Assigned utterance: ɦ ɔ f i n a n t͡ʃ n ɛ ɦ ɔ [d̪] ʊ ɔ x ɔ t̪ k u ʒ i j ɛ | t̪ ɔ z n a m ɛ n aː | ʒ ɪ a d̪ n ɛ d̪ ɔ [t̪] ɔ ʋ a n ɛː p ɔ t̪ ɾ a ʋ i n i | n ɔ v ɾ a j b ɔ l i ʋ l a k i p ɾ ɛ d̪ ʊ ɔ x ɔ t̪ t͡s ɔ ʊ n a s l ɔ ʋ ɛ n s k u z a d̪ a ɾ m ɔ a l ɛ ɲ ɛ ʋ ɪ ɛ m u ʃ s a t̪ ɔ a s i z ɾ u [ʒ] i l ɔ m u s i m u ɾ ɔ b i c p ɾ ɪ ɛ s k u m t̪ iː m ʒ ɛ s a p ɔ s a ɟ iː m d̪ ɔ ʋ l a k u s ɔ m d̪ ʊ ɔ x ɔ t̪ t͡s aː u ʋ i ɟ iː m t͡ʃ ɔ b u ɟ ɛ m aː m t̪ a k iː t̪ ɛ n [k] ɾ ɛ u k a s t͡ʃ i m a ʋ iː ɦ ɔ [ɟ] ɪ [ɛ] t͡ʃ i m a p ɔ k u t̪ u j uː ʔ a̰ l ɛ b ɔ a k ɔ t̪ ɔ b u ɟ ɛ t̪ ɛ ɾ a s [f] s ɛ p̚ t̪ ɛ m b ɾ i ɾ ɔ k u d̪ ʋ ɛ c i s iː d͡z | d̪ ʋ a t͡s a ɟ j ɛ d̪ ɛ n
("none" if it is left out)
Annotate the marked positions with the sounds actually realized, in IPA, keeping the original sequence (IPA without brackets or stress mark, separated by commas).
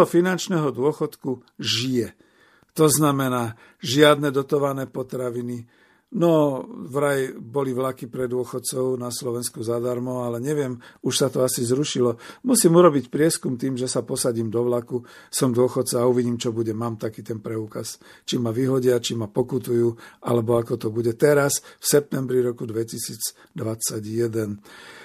d̪, t̪, ʃ, p, ɟ, a, f